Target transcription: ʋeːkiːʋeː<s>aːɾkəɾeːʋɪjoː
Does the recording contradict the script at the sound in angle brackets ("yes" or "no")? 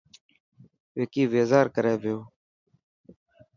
yes